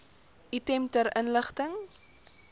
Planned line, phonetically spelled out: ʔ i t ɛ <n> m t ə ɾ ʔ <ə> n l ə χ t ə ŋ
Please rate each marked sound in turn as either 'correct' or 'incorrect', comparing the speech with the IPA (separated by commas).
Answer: incorrect, correct